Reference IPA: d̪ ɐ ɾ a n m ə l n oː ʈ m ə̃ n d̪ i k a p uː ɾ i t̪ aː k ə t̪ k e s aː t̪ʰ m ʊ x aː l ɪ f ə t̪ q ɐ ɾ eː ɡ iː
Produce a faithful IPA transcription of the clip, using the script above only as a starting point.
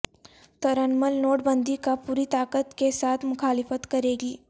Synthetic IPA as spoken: t̪ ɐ ɾ ə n m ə l n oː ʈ b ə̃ n d̪ i k a p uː ɾ i t̪ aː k ə t̪ k e s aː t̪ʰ m ʊ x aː l ɪ f ə t̪ k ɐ ɾ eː ɡ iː